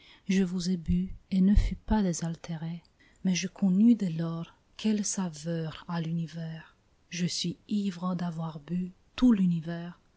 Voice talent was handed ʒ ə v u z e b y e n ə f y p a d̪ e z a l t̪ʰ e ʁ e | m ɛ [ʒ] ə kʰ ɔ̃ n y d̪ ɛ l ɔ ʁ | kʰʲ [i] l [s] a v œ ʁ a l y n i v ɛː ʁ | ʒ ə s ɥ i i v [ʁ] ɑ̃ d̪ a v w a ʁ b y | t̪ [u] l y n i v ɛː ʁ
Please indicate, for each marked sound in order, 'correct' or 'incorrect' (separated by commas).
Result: correct, incorrect, correct, correct, correct